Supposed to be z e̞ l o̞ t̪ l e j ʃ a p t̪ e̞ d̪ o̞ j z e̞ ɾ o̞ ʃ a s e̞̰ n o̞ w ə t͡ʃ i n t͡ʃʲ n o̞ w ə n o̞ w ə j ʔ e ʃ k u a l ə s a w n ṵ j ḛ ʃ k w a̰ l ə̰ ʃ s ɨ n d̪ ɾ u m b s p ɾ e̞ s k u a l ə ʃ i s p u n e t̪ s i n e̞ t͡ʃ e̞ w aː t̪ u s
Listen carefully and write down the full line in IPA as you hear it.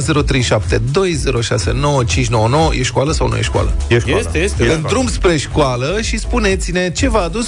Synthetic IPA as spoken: z e̞ ɾ o̞ t̪ ɾ e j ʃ a p t̪ e̞ d̪ o̞ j z e̞ ɾ o̞ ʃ a s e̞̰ n o̞ w ə t͡ʃ i n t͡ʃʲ n o̞ w ə n o̞ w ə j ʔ e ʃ k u a l ə s a w n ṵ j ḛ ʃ k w a̰ l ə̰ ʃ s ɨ n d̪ ɾ u m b s p ɾ e̞ ʃ k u a l ə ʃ i s p u n e t̪ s i n e̞ t͡ʃ e̞ v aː d̪ u s